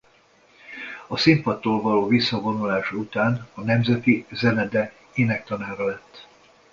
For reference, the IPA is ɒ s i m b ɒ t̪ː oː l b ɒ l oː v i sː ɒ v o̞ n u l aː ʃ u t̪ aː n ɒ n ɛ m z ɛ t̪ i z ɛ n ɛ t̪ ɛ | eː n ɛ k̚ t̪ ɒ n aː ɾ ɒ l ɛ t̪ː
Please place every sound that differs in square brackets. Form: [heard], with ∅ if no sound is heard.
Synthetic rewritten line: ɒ s i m [p] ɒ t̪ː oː l [v] ɒ l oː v i sː ɒ v o̞ n u l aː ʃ u t̪ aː n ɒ n ɛ m z ɛ t̪ i z ɛ n ɛ [d̪] ɛ | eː n ɛ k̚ t̪ ɒ n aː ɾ ɒ l ɛ t̪ː

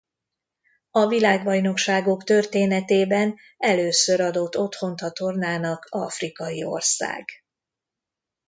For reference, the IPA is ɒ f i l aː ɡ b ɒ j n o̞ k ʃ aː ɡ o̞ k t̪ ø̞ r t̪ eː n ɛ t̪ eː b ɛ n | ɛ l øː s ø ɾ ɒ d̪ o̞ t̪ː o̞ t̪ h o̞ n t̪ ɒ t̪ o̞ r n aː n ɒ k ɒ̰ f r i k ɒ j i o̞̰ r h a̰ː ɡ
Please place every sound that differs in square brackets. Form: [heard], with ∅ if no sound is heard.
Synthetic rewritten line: ɒ [v] i l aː ɡ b ɒ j n o̞ k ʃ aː ɡ o̞ k t̪ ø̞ r t̪ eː n ɛ t̪ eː b ɛ n | ɛ l øː s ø ɾ ɒ d̪ o̞ t̪ː o̞ t̪ h o̞ n t̪ ɒ t̪ o̞ r n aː n ɒ k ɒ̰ f r i k ɒ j i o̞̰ r [s] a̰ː ɡ

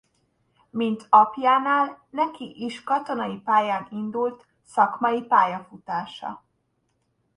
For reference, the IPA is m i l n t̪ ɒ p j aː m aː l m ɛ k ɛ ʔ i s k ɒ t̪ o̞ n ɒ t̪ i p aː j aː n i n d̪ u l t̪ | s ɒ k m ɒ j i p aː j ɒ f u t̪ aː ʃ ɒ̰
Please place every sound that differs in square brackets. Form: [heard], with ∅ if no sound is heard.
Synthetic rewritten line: m i [∅] n t̪ ɒ p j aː [n] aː l [n] ɛ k [i] ʔ i [ʃ] k ɒ t̪ o̞ n ɒ [∅] i p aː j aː n i n d̪ u l t̪ | s ɒ k m ɒ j i p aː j ɒ f u t̪ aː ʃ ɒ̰

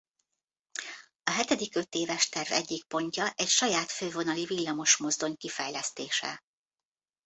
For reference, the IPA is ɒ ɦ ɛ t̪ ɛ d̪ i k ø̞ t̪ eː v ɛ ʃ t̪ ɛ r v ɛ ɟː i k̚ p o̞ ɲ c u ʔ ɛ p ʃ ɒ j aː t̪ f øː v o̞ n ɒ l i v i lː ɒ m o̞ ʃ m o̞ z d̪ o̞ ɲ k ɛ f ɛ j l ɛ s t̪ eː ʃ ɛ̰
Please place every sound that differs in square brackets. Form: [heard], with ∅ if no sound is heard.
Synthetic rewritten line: ɒ ɦ ɛ t̪ ɛ d̪ i k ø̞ t̪ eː v ɛ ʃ t̪ ɛ r v ɛ ɟː i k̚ p o̞ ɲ c [ɒ] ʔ ɛ [c] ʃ ɒ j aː t̪ f øː v o̞ n ɒ l i v i lː ɒ m o̞ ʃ m o̞ z d̪ o̞ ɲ k [i] f ɛ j l ɛ s t̪ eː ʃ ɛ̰

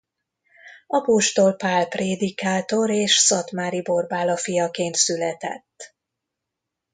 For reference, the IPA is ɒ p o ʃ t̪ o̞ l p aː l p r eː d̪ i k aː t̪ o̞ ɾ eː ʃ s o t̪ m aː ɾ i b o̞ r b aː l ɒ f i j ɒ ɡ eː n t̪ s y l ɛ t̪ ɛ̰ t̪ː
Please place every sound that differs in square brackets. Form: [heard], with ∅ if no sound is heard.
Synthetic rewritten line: ɒ p o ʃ t̪ o̞ l p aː l p r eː d̪ i k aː t̪ o̞ ɾ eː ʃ s [ɒ] t̪ m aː ɾ i b o̞ r b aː l ɒ f i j ɒ [k] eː n t̪ s y l ɛ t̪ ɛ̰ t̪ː

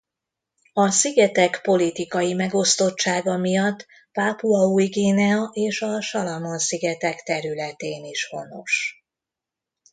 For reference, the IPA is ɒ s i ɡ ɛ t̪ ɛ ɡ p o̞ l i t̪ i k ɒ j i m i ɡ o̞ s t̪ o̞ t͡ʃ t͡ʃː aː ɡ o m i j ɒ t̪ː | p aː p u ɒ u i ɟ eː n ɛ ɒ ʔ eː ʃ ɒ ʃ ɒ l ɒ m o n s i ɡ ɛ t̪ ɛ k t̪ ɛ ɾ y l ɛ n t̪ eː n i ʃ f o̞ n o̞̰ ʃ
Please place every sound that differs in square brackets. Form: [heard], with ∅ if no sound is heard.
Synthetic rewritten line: ɒ s i ɡ ɛ t̪ ɛ [k] p o̞ l i t̪ i k ɒ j i m [ɛ] ɡ o̞ s t̪ o̞ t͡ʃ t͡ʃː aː ɡ [ɒ] m i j ɒ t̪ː | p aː p u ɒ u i [ɡ] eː n ɛ ɒ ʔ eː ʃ ɒ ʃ ɒ l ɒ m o n s i ɡ ɛ t̪ ɛ k t̪ ɛ ɾ y l ɛ [∅] t̪ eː n i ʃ [h] o̞ n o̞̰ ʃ

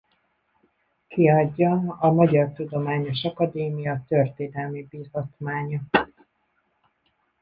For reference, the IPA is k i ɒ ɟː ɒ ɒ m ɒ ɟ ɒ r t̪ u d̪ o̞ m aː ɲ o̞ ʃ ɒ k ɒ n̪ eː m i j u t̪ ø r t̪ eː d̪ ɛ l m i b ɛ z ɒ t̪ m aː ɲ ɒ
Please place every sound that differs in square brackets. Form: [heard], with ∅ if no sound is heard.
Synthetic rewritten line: k i ɒ ɟː ɒ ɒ m ɒ ɟ ɒ r t̪ u d̪ o̞ m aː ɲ o̞ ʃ ɒ k ɒ [d̪] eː m i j [ɒ] t̪ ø r t̪ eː d̪ ɛ l m i b [i] z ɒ t̪ m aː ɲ ɒ

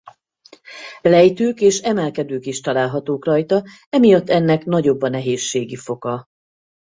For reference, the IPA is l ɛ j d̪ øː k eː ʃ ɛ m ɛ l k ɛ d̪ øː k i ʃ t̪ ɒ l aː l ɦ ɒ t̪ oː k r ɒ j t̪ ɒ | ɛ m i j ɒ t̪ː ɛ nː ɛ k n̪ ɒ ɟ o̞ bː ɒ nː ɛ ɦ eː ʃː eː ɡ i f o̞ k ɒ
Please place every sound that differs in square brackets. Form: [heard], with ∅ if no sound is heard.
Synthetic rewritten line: l ɛ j [t̪] øː k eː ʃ ɛ m ɛ l k ɛ d̪ øː k i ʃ t̪ ɒ l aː l ɦ ɒ t̪ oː k r ɒ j t̪ ɒ | ɛ m i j ɒ t̪ː ɛ nː ɛ k n̪ ɒ ɟ o̞ bː ɒ [n] ɛ ɦ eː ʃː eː ɡ i f o̞ k ɒ

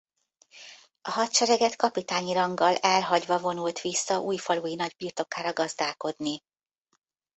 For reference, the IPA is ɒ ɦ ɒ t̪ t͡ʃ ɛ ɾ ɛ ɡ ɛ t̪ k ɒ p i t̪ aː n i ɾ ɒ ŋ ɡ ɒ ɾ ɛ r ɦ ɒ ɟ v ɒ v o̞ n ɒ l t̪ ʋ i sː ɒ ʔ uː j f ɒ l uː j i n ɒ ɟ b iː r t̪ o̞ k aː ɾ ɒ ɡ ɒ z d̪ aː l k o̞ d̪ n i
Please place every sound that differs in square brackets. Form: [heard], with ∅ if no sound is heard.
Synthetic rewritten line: ɒ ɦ ɒ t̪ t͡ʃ ɛ ɾ ɛ ɡ ɛ t̪ k ɒ p i t̪ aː [ɲ] i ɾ ɒ ŋ ɡ ɒ [l] ɛ [l] ɦ ɒ ɟ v ɒ v o̞ n [u] l t̪ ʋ i sː ɒ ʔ uː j f ɒ l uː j i n ɒ ɟ b iː r t̪ o̞ k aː ɾ ɒ ɡ ɒ z d̪ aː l k o̞ d̪ n i

